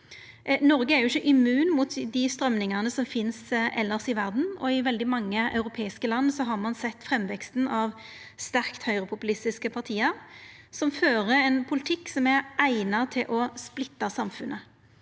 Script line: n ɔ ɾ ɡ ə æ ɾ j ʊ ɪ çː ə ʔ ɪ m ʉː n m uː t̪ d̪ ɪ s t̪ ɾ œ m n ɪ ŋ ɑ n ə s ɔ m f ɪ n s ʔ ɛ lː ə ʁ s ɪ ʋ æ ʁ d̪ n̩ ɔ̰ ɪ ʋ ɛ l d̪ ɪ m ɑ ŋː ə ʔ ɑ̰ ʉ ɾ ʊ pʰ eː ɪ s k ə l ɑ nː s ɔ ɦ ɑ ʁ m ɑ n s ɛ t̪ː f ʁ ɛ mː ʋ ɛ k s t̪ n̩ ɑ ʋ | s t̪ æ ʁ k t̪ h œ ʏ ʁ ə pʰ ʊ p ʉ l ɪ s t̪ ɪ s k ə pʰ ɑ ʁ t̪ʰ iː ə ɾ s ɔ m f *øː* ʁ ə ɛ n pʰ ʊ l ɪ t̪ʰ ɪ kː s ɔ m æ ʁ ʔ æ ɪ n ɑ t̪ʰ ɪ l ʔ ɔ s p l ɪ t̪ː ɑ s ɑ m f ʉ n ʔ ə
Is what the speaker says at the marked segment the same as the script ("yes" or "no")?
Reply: yes